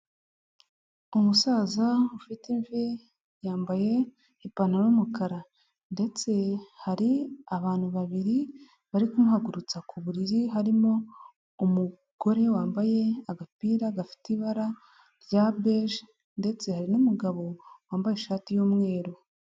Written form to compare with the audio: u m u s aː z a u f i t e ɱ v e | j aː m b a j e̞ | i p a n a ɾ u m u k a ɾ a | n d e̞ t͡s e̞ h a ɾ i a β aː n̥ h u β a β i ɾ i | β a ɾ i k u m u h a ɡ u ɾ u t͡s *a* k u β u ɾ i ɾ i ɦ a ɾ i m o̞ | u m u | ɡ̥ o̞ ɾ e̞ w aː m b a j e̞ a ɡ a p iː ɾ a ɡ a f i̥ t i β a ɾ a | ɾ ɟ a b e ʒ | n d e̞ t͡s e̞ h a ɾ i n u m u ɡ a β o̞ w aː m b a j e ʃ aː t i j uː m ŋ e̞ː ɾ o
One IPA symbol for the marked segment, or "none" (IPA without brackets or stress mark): a